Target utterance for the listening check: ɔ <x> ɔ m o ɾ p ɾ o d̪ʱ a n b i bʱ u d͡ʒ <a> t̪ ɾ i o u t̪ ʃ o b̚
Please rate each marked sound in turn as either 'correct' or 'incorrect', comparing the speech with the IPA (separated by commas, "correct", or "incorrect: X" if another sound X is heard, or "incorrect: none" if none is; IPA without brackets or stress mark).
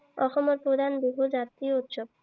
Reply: correct, correct